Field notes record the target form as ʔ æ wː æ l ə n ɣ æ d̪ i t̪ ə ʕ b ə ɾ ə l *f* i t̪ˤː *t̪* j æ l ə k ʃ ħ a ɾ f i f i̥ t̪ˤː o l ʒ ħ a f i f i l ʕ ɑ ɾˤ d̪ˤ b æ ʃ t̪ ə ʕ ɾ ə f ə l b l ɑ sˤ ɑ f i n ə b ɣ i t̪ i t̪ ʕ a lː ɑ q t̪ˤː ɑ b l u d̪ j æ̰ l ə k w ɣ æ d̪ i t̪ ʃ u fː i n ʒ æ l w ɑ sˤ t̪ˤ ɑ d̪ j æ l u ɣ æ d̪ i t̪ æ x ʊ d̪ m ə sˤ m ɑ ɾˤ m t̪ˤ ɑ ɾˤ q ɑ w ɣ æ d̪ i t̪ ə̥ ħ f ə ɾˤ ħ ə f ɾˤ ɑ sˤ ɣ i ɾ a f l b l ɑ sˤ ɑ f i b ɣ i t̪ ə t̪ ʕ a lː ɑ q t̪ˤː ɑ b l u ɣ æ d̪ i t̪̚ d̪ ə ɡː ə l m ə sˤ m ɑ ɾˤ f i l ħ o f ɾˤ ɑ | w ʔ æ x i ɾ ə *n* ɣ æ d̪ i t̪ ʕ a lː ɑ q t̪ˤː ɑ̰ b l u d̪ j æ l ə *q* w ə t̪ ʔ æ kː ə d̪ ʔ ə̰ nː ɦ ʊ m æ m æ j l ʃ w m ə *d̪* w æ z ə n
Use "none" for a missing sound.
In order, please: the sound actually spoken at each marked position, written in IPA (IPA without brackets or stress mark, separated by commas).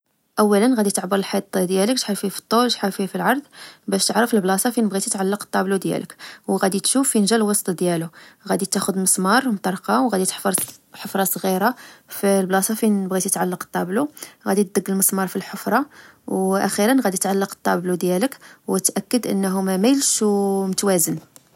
ħ, d̪, n, k, t̪